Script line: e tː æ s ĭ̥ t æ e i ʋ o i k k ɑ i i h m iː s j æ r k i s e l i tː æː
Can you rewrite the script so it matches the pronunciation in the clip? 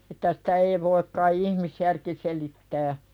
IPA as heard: e tː æ s ĭ̥ t æ e i ʋ o i k k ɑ i i h m i s j æ r k i s e l i tː æː